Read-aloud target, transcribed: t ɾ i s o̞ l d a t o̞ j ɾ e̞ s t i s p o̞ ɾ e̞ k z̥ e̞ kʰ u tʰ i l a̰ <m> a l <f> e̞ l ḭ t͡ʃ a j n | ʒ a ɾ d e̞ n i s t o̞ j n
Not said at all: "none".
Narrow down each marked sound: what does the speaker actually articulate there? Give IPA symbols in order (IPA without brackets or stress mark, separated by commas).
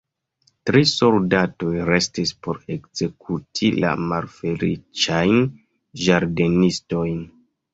m, f